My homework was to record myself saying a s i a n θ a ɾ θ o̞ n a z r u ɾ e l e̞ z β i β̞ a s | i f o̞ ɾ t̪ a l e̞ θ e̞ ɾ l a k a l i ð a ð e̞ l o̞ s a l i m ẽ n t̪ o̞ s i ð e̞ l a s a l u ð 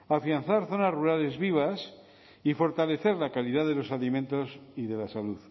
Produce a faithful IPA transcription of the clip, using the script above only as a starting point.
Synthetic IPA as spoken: a f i a n θ a ɾ θ o̞ n a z r u ɾ a l e̞ z β i β̞ a s | i f o̞ ɾ t̪ a l e̞ θ e̞ ɾ l a k a l i ð a ð e̞ l o̞ s a l i m ẽ n t̪ o̞ s i ð e̞ l a s a l u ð